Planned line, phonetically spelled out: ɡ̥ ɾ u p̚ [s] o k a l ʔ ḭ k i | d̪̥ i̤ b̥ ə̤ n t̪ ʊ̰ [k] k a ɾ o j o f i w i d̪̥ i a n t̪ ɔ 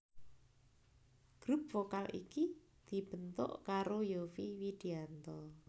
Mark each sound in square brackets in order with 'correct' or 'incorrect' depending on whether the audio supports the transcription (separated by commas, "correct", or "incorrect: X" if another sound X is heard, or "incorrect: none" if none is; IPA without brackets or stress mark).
incorrect: f, incorrect: ʔ